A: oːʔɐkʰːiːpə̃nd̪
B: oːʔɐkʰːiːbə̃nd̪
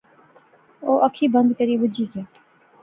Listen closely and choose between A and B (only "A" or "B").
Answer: B